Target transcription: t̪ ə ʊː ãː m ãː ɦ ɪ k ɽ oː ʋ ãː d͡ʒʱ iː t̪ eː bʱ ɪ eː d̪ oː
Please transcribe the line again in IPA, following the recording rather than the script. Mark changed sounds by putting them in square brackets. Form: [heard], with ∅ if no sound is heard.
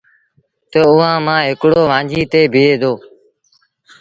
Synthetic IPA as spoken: t̪ ə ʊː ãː m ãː ɦ ɪ k ɽ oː ʋ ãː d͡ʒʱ iː t̪ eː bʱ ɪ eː d̪ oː

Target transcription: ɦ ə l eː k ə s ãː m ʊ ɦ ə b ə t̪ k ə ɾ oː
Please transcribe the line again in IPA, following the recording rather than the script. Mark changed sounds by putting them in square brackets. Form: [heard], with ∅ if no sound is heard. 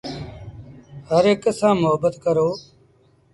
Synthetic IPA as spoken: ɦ ə [ɾ] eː k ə s ãː m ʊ ɦ ə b ə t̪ k ə ɾ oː

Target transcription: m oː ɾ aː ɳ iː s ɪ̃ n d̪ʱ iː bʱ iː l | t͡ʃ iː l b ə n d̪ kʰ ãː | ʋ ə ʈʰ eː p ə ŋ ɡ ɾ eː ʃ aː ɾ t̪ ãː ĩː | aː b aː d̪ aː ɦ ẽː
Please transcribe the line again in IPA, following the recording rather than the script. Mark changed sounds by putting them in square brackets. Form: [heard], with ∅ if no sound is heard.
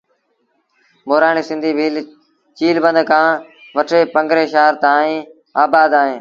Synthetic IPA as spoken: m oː ɾ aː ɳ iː s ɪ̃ n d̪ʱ iː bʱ iː l | t͡ʃ iː l b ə n d̪ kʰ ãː | ʋ ə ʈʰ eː p ə ŋ ɡ ɾ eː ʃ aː ɾ t̪ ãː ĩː | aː b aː d̪ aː ɦ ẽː

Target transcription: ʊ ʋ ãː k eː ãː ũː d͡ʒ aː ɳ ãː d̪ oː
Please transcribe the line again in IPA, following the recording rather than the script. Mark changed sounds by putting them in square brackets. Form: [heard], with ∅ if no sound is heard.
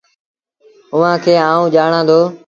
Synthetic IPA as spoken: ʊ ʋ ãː [kʰ] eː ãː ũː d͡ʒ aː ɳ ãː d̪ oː

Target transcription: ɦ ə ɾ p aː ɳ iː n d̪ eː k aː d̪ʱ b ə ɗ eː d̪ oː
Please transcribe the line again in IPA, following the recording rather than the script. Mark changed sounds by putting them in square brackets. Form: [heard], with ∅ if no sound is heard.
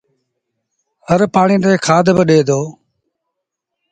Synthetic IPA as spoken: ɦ ə ɾ p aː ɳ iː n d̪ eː [kʰ] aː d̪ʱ b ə ɗ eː d̪ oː

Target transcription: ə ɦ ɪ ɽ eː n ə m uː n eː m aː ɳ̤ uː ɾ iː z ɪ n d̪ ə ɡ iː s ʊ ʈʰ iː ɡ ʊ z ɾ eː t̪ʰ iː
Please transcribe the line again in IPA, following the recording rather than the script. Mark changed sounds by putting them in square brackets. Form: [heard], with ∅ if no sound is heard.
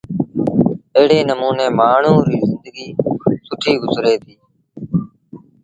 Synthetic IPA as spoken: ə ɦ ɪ ɽ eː n ə m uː n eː m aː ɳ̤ uː ɾ iː z ɪ n d̪ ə ɡ iː s ʊ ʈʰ iː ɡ ʊ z ɾ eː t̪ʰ iː

